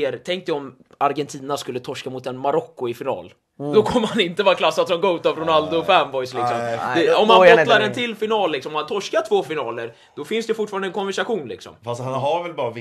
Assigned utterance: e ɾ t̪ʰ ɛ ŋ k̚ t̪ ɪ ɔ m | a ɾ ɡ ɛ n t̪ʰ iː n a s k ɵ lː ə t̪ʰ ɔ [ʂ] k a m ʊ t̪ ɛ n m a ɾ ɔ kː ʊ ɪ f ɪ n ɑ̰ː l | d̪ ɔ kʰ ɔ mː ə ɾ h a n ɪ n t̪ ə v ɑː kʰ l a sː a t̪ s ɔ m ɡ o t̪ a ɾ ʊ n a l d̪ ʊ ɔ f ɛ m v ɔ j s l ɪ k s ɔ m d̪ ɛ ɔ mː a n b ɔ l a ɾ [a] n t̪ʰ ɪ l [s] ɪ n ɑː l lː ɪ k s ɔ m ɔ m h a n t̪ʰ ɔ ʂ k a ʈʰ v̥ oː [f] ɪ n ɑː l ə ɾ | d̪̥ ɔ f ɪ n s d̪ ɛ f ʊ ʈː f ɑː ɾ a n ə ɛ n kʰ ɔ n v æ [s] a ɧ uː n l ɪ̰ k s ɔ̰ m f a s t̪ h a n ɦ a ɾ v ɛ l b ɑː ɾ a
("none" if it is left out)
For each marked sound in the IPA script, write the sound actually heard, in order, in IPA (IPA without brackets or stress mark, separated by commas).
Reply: ʂ, ɛ, f, f, ʂ